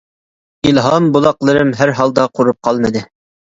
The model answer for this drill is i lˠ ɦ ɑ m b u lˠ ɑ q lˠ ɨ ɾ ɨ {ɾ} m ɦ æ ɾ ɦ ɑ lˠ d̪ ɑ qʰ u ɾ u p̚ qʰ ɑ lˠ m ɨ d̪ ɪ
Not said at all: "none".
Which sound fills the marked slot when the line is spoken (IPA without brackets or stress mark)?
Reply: none